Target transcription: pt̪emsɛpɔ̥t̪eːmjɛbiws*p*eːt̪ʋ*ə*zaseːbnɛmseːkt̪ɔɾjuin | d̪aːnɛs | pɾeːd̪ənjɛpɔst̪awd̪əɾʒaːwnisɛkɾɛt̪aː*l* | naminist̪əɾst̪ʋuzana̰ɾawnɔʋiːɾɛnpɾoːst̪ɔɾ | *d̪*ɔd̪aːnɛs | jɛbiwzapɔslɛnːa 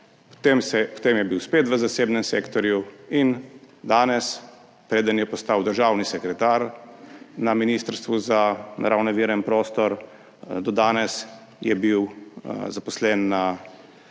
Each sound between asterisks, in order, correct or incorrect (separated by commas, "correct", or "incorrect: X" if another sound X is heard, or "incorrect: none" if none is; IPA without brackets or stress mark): correct, correct, incorrect: ɾ, correct